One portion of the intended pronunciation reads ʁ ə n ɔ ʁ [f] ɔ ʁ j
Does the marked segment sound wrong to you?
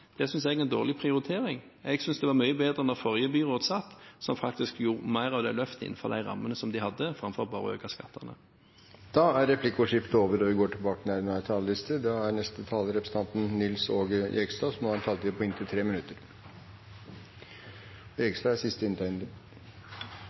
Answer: no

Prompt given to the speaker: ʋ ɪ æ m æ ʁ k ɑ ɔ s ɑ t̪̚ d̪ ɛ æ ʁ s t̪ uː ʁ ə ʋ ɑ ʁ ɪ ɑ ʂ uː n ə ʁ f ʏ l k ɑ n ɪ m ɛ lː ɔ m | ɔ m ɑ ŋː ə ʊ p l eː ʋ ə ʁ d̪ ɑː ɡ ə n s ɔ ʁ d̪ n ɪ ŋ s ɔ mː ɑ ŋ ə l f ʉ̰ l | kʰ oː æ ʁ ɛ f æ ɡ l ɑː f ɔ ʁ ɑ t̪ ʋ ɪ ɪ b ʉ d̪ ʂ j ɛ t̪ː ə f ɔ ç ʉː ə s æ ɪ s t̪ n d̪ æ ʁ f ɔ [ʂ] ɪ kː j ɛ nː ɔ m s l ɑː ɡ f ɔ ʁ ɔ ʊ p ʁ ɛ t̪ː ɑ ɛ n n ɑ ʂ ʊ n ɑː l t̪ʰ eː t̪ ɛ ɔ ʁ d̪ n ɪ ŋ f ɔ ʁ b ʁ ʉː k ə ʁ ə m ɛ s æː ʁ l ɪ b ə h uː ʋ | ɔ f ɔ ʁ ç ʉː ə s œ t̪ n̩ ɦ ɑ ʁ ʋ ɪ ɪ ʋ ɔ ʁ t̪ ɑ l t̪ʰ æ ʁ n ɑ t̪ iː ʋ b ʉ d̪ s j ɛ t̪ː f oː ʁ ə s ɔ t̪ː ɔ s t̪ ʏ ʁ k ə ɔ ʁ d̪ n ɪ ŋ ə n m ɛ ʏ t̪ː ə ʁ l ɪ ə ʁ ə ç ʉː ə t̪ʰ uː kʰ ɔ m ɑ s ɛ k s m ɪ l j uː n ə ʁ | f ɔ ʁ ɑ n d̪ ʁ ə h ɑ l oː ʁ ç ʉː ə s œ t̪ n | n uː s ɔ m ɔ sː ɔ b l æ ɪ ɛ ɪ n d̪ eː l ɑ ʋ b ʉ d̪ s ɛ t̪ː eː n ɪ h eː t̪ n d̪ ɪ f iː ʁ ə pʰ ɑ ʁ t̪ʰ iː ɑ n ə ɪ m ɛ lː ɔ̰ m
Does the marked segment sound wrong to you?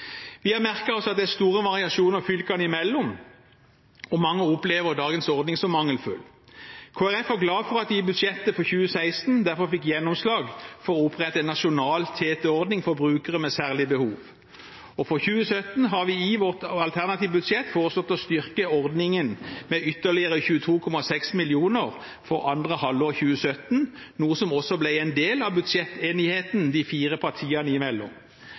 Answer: yes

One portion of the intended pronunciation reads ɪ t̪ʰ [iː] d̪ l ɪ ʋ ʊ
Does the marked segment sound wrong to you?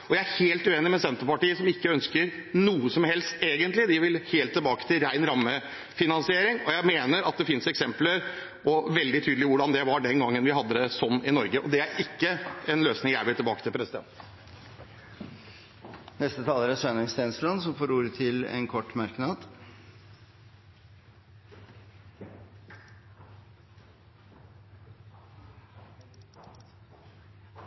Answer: yes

